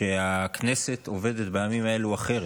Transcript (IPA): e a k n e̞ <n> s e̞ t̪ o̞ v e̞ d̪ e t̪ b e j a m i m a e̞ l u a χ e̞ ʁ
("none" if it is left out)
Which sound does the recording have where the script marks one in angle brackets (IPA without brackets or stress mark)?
none